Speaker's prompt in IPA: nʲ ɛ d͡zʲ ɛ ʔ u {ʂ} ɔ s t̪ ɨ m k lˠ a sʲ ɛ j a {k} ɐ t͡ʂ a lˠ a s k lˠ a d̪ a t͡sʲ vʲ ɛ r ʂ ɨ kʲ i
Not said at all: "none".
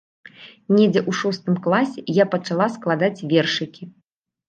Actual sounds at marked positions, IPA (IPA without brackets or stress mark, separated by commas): ʂ, p